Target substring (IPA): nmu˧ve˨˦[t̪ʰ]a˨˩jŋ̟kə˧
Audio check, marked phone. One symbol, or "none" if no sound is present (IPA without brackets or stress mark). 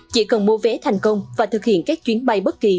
t̪ʰ